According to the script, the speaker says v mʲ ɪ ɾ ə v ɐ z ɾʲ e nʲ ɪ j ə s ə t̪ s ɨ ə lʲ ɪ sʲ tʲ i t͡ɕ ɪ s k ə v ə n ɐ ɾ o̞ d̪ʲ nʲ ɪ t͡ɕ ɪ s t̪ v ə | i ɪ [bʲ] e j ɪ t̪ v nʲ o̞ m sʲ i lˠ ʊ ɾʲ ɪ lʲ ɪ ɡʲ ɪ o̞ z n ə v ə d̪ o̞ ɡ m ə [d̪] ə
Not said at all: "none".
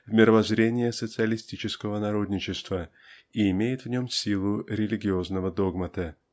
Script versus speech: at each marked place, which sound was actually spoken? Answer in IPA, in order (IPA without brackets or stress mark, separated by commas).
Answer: mʲ, t̪